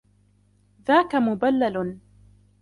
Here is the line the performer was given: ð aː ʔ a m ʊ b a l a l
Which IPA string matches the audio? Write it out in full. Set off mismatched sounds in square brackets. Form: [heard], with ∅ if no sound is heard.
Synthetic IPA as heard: ð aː [k] a m ʊ b a [lː] a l